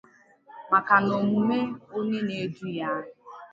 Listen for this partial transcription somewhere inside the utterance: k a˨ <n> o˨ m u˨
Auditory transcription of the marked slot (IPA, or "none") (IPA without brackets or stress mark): n